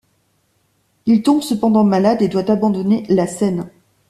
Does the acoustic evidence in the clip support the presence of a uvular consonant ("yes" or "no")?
no